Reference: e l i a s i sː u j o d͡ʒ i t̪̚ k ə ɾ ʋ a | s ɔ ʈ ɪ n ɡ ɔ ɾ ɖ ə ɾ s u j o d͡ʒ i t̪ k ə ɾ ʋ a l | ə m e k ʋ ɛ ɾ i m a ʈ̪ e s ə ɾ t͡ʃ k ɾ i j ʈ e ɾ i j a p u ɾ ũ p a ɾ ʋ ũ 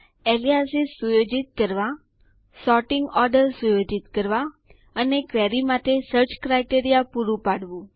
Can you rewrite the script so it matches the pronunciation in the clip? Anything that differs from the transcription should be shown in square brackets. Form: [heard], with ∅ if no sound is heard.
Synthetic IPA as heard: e l i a s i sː u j o d͡ʒ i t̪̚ k ə ɾ ʋ a | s ɔ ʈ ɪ [ŋ] ɡ ɔ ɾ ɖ ə ɾ s u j o d͡ʒ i t̪ k ə ɾ ʋ a [∅] | ə [n] e k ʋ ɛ ɾ i m a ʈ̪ e s ə ɾ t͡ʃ k ɾ [a] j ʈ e ɾ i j a p u ɾ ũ p a [ɽ] ʋ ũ